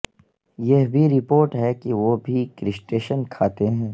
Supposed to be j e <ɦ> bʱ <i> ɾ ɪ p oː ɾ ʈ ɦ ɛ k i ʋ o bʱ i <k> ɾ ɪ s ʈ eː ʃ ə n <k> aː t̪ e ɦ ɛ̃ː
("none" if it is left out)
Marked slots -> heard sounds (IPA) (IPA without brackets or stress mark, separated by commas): ɦ, i, k, kʰ